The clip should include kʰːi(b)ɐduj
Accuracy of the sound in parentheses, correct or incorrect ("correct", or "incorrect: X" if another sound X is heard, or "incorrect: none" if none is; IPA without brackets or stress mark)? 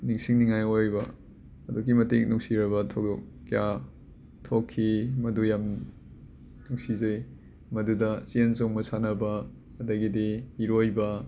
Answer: incorrect: m